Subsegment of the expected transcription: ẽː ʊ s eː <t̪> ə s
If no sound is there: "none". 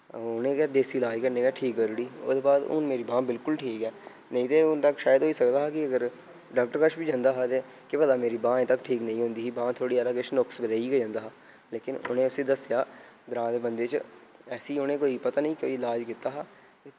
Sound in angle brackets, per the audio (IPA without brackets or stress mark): d̪